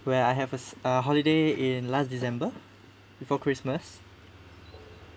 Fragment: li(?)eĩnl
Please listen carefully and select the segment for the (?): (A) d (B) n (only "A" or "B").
A